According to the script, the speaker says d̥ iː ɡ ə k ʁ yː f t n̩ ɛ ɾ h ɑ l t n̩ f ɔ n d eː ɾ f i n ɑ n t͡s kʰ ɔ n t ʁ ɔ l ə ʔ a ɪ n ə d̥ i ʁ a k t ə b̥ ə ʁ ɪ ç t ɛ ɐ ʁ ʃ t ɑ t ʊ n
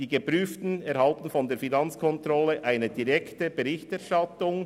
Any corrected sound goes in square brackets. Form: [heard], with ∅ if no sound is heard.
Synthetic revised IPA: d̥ iː ɡ ə [p] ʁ yː f t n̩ ɛ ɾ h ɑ l t n̩ f ɔ n d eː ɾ f i n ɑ n t͡s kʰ ɔ n t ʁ ɔ l ə ʔ a ɪ n ə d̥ i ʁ [ɛ] k t ə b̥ ə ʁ ɪ ç t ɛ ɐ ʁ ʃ t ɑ t ʊ [ŋ]